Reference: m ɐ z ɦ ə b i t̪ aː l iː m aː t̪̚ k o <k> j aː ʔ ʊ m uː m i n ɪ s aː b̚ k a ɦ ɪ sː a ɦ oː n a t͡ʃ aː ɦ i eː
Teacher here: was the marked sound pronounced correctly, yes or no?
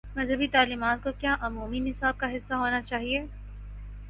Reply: yes